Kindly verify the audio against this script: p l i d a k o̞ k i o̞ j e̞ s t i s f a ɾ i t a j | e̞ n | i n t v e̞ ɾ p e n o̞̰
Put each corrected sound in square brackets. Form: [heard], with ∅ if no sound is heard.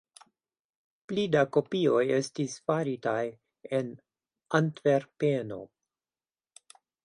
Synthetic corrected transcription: p l i d a k o̞ [p] i o̞ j e̞ s t i s f a ɾ i t a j | e̞ n | [a] n t v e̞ ɾ p e n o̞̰